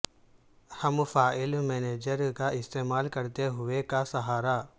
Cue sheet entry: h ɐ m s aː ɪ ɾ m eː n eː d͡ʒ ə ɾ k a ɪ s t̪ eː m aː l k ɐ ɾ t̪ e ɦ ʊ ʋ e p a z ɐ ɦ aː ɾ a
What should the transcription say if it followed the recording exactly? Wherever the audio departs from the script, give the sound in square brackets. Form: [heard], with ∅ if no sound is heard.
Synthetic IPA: h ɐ m [f] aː ɪ [l] m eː n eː d͡ʒ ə ɾ k a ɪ s t̪ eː m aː l k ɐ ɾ t̪ e ɦ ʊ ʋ e [k] a [s] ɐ ɦ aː ɾ a